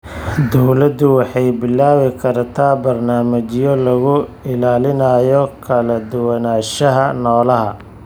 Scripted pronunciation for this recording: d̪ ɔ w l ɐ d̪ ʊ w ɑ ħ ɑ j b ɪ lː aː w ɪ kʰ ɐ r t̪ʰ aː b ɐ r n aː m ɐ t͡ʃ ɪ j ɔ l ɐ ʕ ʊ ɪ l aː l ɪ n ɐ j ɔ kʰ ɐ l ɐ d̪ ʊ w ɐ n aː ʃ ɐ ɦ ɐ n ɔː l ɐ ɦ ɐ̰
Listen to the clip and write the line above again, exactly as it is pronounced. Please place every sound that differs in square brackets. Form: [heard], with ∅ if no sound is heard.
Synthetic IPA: d̪ ɔ w l ɐ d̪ ʊ w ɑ ħ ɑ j b ɪ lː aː w ɪ kʰ ɐ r t̪ʰ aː b ɐ r n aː m ɐ t͡ʃ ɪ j ɔ l ɐ [ɣ] ʊ ɪ l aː l ɪ n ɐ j ɔ kʰ ɐ l ɐ d̪ ʊ w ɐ n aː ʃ ɐ ɦ ɐ n ɔː l ɐ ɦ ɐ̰